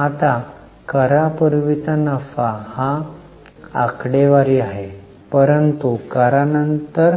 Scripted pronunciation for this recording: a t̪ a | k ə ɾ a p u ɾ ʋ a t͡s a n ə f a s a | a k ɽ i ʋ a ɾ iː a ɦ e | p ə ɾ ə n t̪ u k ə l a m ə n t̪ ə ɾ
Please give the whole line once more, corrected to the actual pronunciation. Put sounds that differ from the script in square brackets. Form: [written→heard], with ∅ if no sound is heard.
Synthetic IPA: a t̪ a | k ə ɾ a p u ɾ ʋ [a→i] t͡s a n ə f a [s→h] a | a k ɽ [i→e] ʋ a ɾ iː a ɦ e | p ə ɾ ə n t̪ u k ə [l→ɾ] a [m→n] ə n t̪ ə ɾ